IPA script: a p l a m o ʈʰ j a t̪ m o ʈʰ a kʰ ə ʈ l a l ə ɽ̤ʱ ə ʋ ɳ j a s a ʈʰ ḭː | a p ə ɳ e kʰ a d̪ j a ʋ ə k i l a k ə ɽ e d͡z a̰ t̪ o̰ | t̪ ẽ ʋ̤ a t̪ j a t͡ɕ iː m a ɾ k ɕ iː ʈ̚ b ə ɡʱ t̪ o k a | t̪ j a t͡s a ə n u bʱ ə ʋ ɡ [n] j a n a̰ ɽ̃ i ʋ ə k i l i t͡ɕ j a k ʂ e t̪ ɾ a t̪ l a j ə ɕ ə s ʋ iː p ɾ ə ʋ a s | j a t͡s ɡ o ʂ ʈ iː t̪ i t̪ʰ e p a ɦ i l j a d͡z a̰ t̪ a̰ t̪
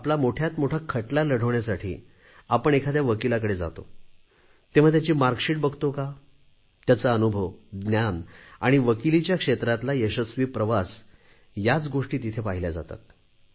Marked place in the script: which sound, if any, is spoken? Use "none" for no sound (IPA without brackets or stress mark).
n